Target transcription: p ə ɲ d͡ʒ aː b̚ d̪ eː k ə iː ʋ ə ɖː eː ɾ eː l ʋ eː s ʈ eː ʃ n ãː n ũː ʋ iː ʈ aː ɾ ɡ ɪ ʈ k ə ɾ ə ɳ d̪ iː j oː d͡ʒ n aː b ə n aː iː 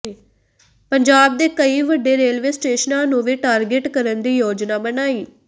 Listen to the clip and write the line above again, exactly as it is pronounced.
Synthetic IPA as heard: p ə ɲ d͡ʒ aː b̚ d̪ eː k ə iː ʋ ə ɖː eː ɾ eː l ʋ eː s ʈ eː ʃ n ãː n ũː ʋ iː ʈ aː ɾ ɡ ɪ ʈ k ə ɾ ə n d̪ iː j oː d͡ʒ n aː b ə n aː iː